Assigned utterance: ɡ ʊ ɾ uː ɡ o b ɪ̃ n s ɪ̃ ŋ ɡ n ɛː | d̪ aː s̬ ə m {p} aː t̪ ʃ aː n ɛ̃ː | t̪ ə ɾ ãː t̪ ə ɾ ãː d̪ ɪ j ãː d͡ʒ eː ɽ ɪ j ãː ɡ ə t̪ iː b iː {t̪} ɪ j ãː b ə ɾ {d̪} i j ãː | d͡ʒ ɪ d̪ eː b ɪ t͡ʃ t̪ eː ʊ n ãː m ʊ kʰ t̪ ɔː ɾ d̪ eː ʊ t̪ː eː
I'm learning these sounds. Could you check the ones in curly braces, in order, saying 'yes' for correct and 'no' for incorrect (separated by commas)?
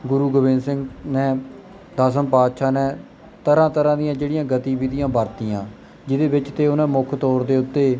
yes, no, no